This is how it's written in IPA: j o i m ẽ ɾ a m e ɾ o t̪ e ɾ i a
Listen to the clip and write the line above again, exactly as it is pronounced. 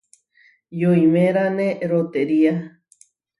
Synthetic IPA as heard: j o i m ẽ ɾ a n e ɾ o t̪ e ɾ i a